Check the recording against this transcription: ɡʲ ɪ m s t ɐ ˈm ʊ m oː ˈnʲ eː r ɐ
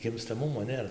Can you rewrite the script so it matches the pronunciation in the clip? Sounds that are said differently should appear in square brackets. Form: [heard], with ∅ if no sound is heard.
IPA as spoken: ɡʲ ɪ m s t ɐ ˈm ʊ m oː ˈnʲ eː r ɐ